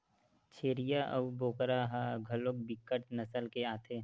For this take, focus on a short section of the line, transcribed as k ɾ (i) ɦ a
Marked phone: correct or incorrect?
incorrect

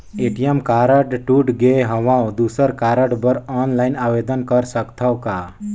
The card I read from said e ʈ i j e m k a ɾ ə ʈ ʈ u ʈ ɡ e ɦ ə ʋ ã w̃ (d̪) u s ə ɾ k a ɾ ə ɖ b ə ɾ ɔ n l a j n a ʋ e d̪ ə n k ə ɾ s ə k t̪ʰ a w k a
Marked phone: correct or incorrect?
correct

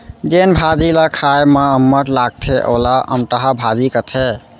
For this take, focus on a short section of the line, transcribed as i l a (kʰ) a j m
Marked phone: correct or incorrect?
correct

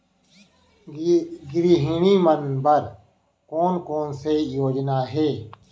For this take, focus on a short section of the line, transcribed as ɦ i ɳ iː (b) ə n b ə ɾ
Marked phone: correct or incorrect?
incorrect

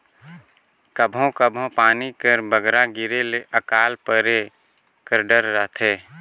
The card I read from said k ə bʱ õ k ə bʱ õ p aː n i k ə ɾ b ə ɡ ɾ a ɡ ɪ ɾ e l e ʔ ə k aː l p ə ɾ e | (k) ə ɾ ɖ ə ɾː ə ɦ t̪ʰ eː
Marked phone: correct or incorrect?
correct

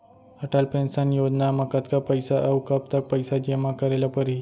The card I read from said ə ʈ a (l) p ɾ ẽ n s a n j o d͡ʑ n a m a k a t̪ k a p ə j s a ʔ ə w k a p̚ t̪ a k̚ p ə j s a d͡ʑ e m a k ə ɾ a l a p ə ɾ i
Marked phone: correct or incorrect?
correct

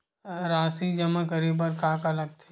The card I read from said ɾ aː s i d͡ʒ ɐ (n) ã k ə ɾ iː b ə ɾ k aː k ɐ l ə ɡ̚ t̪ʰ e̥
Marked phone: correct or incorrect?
incorrect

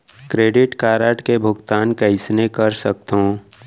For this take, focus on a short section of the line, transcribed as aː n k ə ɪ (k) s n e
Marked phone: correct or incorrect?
incorrect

